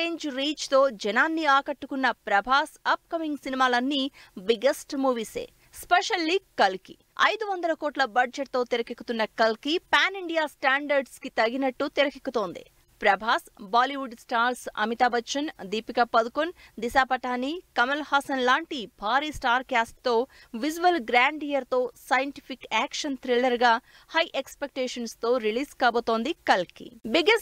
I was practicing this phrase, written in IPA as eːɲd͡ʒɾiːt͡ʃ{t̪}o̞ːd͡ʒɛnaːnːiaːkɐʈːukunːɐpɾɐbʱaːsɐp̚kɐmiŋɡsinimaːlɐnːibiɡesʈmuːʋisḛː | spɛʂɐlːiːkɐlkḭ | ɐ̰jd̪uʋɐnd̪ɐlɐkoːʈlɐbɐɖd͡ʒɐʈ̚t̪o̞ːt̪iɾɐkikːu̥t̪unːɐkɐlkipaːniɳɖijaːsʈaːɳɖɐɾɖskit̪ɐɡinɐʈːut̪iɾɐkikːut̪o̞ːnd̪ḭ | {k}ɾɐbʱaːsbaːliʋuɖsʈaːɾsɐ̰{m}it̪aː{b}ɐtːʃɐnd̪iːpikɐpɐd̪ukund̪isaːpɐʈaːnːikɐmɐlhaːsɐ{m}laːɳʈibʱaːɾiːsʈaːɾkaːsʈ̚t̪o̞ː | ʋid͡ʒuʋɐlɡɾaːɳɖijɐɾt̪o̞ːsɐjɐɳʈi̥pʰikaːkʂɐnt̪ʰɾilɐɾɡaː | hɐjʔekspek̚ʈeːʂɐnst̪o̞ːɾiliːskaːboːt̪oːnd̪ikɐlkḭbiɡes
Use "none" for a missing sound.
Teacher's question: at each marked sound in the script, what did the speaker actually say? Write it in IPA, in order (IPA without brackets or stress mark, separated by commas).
t̪, p, m, b, n